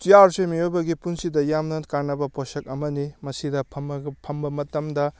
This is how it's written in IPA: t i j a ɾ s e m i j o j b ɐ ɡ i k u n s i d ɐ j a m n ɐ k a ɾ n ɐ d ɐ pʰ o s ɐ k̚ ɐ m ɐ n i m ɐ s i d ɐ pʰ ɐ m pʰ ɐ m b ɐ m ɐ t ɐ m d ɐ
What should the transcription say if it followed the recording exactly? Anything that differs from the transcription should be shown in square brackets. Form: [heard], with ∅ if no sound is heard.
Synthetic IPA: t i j a ɾ s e m i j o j b ɐ ɡ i [p] u n s i d ɐ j a m n ɐ k a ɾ n ɐ [b] ɐ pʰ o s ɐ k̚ ɐ m ɐ n i m ɐ s i d ɐ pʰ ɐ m pʰ ɐ m b ɐ m ɐ t ɐ m d ɐ